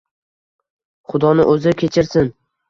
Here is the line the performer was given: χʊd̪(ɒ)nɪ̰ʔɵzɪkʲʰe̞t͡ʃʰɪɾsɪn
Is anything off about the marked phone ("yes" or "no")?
no